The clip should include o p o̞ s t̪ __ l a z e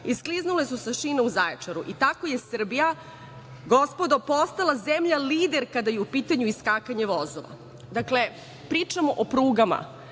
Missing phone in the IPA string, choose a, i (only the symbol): a